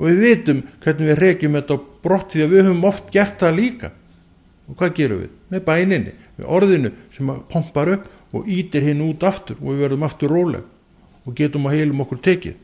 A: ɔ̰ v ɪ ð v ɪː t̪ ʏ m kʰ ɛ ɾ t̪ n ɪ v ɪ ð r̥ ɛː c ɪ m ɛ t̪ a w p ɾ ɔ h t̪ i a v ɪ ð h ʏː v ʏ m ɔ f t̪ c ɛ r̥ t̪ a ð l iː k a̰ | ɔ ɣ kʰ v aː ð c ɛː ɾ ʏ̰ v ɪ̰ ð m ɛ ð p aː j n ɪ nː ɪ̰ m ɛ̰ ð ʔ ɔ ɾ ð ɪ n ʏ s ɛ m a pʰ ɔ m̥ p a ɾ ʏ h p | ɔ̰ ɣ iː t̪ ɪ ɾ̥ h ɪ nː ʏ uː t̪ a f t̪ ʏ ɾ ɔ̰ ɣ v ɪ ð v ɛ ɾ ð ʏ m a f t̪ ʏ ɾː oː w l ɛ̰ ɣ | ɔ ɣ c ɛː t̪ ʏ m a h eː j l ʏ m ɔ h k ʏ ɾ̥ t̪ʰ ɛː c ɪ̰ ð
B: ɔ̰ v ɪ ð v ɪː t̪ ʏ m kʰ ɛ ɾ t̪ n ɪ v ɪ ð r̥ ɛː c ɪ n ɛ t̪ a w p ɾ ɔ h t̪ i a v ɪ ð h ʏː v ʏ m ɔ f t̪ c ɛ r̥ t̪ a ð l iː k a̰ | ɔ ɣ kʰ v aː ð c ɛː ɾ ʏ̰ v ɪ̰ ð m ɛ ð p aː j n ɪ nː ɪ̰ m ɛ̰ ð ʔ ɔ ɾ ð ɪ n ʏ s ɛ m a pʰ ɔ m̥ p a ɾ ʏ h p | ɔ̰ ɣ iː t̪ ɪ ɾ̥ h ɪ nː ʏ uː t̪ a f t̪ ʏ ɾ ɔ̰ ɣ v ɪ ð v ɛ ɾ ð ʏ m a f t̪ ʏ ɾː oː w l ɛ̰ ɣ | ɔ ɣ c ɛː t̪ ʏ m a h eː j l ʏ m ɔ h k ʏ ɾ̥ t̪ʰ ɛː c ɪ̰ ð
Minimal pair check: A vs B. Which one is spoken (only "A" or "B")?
A